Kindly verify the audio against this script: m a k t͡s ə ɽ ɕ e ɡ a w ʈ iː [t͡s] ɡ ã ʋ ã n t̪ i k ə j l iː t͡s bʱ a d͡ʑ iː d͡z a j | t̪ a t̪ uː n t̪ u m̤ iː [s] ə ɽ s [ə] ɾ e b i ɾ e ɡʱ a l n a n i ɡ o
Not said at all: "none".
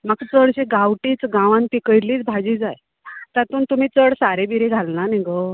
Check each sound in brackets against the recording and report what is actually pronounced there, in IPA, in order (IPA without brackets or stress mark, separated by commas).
t͡s, t͡s, a